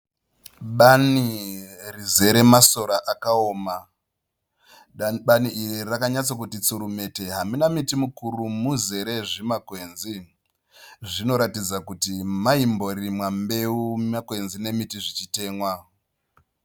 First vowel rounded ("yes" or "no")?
no